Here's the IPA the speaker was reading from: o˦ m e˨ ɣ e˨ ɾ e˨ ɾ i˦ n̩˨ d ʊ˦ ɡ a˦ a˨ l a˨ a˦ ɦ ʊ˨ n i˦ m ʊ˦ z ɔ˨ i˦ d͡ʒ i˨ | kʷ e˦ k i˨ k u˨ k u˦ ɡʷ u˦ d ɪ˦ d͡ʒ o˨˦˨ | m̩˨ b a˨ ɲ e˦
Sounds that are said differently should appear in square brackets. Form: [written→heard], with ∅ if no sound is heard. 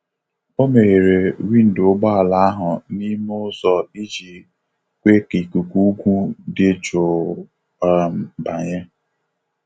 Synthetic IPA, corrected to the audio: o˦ m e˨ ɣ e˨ ɾ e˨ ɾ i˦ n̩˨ d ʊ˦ [ɡ→ɡ͡b] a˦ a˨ l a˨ a˦ ɦ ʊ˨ n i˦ m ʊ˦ z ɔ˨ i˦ d͡ʒ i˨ | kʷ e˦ k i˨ k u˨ k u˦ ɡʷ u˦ d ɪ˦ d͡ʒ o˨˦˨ | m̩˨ b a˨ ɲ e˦